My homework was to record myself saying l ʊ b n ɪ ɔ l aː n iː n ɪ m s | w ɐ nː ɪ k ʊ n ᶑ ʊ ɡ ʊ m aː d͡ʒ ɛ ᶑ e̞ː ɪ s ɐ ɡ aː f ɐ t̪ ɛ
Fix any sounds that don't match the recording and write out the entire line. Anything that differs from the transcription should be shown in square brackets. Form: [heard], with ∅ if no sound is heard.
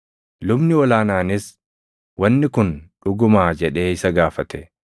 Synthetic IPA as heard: l ʊ b n ɪ ɔ l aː n [aː] n ɪ [∅] s | w ɐ nː ɪ k ʊ n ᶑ ʊ ɡ ʊ m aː d͡ʒ ɛ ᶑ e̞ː ɪ s ɐ ɡ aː f ɐ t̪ ɛ

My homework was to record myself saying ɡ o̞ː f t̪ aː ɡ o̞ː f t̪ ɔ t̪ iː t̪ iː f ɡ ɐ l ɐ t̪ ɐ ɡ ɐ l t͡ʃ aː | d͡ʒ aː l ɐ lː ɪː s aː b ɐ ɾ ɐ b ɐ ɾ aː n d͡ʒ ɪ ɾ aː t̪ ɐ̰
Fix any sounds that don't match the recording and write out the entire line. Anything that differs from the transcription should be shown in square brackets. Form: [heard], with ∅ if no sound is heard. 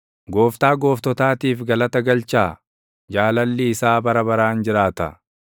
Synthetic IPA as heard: ɡ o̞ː f t̪ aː ɡ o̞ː f t̪ ɔ t̪ [aː] t̪ iː f ɡ ɐ l ɐ t̪ ɐ ɡ ɐ l t͡ʃ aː | d͡ʒ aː l ɐ lː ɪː s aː b ɐ ɾ ɐ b ɐ ɾ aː n d͡ʒ ɪ ɾ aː t̪ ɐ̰

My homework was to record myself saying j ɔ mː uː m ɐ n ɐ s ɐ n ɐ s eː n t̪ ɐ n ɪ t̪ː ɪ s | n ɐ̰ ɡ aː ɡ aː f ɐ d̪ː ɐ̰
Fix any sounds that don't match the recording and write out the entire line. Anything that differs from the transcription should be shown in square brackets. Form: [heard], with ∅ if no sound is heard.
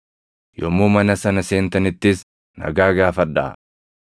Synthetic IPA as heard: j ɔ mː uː m ɐ n ɐ s ɐ n ɐ s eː n t̪ ɐ n ɪ t̪ː ɪ s | n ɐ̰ ɡ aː ɡ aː f ɐ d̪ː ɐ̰

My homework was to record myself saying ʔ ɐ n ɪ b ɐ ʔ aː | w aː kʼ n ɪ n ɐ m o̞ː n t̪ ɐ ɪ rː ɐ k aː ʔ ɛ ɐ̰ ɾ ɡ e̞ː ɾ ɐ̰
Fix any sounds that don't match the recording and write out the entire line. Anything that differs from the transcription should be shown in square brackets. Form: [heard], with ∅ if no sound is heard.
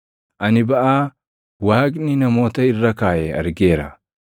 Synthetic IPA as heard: ʔ ɐ n ɪ b ɐ ʔ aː | w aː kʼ n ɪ n ɐ m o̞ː [∅] t̪ ɐ ɪ rː ɐ k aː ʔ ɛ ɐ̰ ɾ ɡ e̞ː ɾ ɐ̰

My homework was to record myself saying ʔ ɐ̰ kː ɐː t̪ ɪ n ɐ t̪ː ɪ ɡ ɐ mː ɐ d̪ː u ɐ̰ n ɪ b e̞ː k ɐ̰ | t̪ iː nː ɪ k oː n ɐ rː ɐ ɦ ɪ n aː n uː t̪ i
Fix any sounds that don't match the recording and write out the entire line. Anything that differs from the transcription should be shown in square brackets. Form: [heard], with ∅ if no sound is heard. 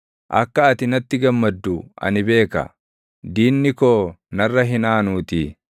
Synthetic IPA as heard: ʔ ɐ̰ kː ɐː t̪ ɪ n ɐ t̪ː ɪ ɡ ɐ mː ɐ d̪ː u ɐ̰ n ɪ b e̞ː k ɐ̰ | [d̪] iː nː ɪ k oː n ɐ rː ɐ ɦ ɪ n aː n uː t̪ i

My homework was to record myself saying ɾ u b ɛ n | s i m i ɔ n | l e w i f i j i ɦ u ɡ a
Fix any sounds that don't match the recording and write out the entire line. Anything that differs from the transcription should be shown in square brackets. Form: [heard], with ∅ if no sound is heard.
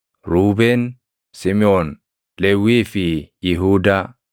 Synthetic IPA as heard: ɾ u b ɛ n | s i m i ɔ n | l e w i f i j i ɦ u [d] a

